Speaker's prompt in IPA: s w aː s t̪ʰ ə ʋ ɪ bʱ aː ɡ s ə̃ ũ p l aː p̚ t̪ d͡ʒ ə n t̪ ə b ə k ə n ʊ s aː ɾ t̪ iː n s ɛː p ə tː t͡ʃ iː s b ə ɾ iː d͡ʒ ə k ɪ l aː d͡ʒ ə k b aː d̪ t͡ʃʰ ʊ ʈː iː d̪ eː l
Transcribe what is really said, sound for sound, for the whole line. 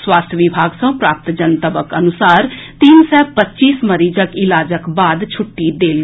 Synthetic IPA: s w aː s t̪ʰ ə ʋ ɪ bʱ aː ɡ s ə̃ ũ p ɾ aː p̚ t̪ d͡ʒ ə n t̪ ə b ə k ə n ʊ s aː ɾ t̪ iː n s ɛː p ə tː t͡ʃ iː s m ə ɾ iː d͡ʒ ə k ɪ l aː d͡ʒ ə k b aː d̪ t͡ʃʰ ʊ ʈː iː d̪ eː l